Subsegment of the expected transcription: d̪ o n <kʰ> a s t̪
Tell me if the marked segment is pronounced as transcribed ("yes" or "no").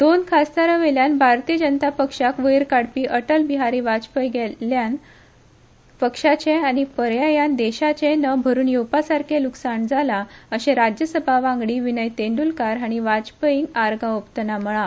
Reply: yes